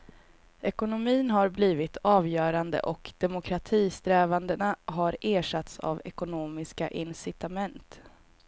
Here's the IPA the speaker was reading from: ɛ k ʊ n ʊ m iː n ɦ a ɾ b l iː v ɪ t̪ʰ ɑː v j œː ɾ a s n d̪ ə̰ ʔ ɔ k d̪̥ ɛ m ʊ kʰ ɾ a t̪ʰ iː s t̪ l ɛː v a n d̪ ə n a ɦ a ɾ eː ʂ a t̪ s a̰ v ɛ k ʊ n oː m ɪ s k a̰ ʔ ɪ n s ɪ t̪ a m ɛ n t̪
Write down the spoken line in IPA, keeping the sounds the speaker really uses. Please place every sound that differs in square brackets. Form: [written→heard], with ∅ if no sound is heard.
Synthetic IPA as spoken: ɛ k ʊ n ʊ m iː n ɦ a ɾ b l iː v ɪ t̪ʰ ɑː v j œː ɾ a [s→∅] n d̪ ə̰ ʔ ɔ k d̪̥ ɛ m ʊ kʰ ɾ a t̪ʰ iː s t̪ [l→ɾ] ɛː v a n d̪ ə n a ɦ a ɾ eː ʂ a t̪ s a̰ v ɛ k ʊ n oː m ɪ s k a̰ ʔ ɪ n s ɪ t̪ a m ɛ n t̪